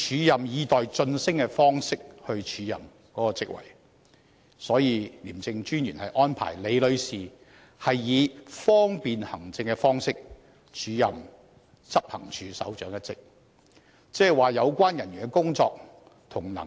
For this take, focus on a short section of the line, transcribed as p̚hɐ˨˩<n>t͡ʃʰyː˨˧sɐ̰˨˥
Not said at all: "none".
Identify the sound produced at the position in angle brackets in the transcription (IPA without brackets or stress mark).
ŋ